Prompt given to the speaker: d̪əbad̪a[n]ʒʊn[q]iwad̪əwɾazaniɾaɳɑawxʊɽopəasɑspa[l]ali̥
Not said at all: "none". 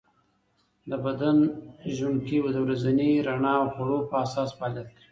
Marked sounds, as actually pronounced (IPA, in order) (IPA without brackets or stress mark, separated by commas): n, k, l